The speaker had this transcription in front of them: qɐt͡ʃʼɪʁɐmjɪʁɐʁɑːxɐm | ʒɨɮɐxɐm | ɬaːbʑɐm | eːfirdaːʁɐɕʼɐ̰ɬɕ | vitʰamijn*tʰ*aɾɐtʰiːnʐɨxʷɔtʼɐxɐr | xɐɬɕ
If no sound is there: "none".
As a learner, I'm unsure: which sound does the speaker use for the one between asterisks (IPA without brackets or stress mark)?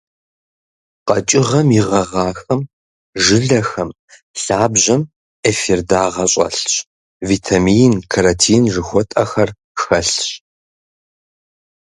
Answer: kʰ